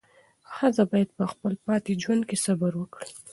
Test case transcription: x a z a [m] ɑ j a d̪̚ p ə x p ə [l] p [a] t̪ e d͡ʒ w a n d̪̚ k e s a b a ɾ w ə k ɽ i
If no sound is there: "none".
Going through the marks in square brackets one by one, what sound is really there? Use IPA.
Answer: b, l, ɑ

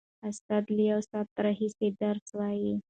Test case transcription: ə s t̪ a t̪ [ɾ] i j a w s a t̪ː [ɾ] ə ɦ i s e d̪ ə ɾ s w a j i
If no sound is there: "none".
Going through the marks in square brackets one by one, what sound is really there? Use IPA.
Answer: l, ɾ

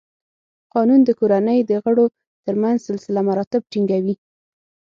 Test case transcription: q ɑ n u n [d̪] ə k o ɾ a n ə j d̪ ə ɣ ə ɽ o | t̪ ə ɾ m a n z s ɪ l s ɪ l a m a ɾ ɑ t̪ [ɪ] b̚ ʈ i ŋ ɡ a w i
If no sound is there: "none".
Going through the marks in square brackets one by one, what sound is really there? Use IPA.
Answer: d̪, ɪ

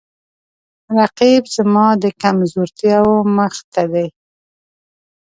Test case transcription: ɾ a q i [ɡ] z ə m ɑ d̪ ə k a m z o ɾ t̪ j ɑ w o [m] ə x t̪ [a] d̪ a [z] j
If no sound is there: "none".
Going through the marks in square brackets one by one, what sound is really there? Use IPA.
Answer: b, m, a, none

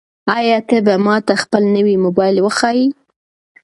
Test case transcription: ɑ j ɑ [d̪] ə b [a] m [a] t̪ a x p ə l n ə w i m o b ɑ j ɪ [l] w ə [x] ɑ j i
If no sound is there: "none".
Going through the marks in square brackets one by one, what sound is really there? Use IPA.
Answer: t̪, a, ɑ, l, x

